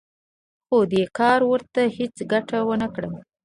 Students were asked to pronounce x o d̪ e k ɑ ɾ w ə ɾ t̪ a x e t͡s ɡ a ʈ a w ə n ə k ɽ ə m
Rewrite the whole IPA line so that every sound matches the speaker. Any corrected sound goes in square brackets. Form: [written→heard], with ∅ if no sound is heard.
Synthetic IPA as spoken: x o d̪ e k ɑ ɾ w ə ɾ t̪ a [x→h] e t͡s ɡ a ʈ a w ə n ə k ɽ ə m